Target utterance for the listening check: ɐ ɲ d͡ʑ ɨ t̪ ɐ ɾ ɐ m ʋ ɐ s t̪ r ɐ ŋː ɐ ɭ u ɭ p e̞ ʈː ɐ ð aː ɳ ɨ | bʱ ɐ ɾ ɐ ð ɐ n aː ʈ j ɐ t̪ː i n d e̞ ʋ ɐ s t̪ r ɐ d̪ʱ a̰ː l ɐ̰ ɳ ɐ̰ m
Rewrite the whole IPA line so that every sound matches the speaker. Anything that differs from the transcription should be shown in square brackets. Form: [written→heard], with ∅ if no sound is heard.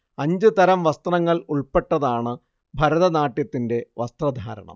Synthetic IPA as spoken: ɐ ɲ d͡ʑ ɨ t̪ ɐ ɾ ɐ m ʋ ɐ s t̪ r ɐ ŋː ɐ ɭ u ɭ p e̞ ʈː ɐ ð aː ɳ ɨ | bʱ ɐ ɾ ɐ ð ɐ n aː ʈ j ɐ t̪ː i n d e̞ ʋ ɐ s t̪ r ɐ d̪ʱ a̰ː [l→ɾ] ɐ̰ ɳ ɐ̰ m